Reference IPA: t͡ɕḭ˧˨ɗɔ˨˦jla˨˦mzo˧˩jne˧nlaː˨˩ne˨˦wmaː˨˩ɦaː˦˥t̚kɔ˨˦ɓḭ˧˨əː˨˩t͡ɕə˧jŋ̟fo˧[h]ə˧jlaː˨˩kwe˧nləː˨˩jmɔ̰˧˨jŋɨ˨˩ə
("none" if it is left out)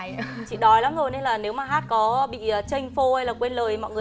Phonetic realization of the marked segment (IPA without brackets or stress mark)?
h